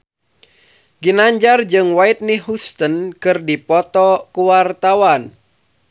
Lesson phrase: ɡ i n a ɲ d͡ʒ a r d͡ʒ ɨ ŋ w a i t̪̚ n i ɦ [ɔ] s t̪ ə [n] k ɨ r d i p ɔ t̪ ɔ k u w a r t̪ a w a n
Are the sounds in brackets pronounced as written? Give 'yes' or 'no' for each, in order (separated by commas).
no, yes